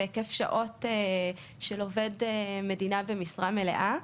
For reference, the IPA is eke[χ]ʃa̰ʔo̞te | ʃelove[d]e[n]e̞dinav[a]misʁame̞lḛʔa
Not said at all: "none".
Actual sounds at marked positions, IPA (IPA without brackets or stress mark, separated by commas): f, d, m, e